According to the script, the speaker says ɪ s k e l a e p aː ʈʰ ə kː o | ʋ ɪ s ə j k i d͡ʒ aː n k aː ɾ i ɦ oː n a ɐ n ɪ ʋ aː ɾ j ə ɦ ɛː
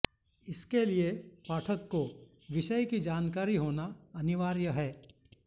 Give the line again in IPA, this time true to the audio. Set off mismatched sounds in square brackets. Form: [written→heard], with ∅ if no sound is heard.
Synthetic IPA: ɪ s k e l [a→i] e p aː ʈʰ ə kː o | ʋ ɪ [s→ʃ] ə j k i d͡ʒ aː n k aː ɾ i ɦ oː n a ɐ n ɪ ʋ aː ɾ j ə ɦ ɛː

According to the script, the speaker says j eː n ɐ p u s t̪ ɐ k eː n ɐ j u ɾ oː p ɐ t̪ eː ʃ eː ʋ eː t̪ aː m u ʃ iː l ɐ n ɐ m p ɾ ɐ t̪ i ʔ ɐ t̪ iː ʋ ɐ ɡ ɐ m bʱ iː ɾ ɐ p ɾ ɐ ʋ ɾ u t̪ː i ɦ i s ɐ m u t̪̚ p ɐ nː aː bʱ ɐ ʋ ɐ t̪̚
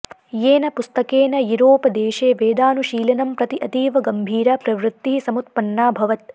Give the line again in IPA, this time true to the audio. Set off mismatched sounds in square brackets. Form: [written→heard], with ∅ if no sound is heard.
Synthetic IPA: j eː n ɐ p u s t̪ ɐ k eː n ɐ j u ɾ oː p ɐ [t̪→d̪] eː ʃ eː ʋ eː [t̪→d̪] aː [m→n] u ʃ iː l ɐ n ɐ m p ɾ ɐ t̪ i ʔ ɐ t̪ iː ʋ ɐ ɡ ɐ m bʱ iː ɾ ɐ p ɾ ɐ ʋ ɾ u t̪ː i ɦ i s ɐ m u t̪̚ p ɐ nː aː bʱ ɐ ʋ ɐ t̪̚

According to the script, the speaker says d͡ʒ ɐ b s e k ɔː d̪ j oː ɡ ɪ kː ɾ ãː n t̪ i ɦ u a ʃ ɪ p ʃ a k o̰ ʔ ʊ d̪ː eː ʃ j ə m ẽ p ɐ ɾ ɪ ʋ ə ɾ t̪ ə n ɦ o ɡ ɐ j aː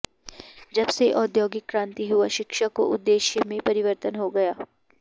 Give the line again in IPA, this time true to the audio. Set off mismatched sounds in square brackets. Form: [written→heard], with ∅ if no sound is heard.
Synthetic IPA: d͡ʒ ɐ b s e [k→ʔ] ɔː d̪ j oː ɡ ɪ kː ɾ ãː n t̪ i ɦ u a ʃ ɪ [p→k] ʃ a k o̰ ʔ ʊ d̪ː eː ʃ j ə m ẽ p ɐ ɾ ɪ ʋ ə ɾ t̪ ə n ɦ o ɡ ɐ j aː

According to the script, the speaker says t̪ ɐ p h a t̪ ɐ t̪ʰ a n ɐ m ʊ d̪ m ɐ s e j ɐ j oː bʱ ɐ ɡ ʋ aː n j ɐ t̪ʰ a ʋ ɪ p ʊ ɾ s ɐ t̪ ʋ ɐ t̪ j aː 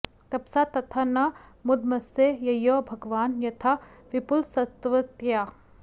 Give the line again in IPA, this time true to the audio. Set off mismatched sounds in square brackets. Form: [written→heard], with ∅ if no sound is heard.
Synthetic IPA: t̪ ɐ p [h→s] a t̪ ɐ t̪ʰ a n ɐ m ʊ d̪ m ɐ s e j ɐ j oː bʱ ɐ ɡ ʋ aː n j ɐ t̪ʰ a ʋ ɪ p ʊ [ɾ→l] s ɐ t̪ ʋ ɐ t̪ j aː

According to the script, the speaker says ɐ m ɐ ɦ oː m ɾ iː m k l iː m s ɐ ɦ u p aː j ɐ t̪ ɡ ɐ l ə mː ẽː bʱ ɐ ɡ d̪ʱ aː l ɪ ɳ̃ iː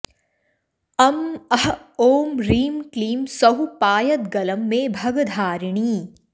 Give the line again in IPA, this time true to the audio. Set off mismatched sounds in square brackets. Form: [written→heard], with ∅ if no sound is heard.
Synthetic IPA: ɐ m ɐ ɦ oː m ɾ iː m k l iː m s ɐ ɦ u p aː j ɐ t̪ ɡ ɐ l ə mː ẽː bʱ ɐ ɡ d̪ʱ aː [l→ɾ] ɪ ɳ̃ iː

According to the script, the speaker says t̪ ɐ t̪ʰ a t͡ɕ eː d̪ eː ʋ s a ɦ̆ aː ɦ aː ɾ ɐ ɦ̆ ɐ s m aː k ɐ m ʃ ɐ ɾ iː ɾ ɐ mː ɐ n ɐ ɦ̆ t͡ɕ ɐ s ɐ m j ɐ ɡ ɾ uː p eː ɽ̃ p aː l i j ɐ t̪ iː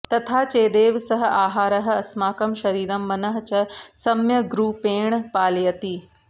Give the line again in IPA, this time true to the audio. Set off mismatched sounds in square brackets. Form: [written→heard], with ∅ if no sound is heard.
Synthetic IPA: t̪ ɐ t̪ʰ a t͡ɕ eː d̪ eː ʋ s [a→ɐ] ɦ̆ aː ɦ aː ɾ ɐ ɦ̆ ɐ s m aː k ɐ m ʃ ɐ ɾ iː ɾ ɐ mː ɐ n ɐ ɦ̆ t͡ɕ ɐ s ɐ m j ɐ ɡ ɾ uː p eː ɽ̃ p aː l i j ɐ t̪ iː

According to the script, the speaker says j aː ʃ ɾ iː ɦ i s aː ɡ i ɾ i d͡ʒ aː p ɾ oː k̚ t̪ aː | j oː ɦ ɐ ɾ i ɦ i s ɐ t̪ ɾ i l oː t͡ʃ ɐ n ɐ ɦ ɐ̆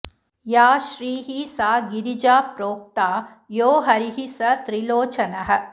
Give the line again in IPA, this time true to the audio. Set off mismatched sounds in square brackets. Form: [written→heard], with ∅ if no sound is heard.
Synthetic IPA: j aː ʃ ɾ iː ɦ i s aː ɡ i ɾ i d͡ʒ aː p ɾ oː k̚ t̪ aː | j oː ɦ ɐ ɾ i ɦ i s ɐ t̪ ɾ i l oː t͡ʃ ɐ n ɐ ɦ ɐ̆

